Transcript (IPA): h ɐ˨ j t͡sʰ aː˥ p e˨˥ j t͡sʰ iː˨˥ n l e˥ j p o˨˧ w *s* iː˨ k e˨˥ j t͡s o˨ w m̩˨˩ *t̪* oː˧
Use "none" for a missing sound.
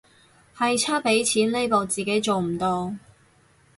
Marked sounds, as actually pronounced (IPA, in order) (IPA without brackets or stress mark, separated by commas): t͡s, t̪